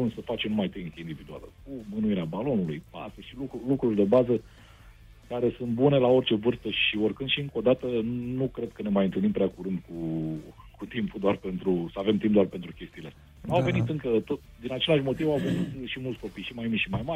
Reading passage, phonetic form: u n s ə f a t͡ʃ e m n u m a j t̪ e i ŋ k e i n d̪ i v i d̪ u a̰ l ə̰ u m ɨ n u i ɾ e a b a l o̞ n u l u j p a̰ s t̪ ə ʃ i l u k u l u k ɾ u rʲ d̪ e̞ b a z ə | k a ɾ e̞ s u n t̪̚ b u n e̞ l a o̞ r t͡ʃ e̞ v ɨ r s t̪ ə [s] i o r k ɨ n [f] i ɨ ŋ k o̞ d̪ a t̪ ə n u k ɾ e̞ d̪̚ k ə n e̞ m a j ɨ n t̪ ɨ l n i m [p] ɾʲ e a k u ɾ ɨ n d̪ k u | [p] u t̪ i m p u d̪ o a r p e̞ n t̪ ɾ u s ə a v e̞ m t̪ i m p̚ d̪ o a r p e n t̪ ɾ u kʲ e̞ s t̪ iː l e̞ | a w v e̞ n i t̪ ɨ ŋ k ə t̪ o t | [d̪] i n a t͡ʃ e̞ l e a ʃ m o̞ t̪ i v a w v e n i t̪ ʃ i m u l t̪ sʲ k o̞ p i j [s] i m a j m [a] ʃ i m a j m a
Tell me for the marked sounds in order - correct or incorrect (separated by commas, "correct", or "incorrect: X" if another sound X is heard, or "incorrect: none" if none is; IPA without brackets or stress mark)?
incorrect: ʃ, incorrect: ʃ, correct, incorrect: k, correct, incorrect: ʃ, incorrect: i